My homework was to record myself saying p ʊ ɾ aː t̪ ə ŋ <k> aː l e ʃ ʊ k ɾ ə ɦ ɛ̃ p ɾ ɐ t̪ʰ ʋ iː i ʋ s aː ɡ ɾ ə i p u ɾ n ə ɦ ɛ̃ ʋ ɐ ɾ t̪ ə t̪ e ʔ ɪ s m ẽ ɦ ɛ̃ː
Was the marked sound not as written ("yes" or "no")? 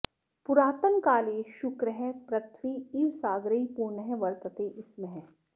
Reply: no